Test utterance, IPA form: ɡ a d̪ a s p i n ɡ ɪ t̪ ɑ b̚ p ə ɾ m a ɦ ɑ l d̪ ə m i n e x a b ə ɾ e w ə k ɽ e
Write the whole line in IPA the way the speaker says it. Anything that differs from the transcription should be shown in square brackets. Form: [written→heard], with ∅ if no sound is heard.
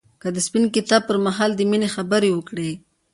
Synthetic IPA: [ɡ→k] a d̪ [a→ə] s p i n [ɡ→k] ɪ t̪ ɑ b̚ p ə ɾ m a ɦ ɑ l d̪ ə m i n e x a b ə ɾ e w ə k ɽ e